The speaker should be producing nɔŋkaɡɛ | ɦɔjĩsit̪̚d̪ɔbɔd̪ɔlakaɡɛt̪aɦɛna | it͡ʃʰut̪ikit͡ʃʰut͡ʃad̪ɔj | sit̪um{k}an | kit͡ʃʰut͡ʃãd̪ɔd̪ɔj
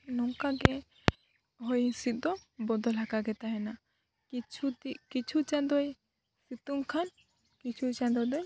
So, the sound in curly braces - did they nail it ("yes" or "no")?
no